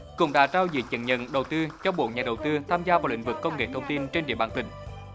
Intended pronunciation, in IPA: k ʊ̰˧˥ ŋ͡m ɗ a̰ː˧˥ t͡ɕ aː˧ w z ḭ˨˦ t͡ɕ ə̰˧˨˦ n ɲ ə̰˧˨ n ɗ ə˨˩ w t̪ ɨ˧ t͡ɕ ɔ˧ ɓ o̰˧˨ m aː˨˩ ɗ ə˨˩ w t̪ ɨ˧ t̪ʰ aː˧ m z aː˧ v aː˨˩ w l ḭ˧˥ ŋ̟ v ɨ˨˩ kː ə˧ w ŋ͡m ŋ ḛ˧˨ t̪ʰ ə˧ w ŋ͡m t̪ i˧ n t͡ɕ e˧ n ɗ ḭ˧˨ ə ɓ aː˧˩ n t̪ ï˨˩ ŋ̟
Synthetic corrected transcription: k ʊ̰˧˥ ŋ͡m ɗ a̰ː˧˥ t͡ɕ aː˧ w z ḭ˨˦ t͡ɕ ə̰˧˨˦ n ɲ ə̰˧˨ n ɗ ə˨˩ w t̪ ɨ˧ t͡ɕ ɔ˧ ɓ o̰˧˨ ɲ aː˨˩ ɗ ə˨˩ w t̪ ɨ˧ t̪ʰ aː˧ m z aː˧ v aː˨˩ w l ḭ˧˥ ŋ̟ v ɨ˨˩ kː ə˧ w ŋ͡m ŋ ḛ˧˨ t̪ʰ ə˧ w ŋ͡m t̪ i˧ n t͡ɕ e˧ n ɗ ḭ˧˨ ə ɓ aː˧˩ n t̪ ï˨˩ ŋ̟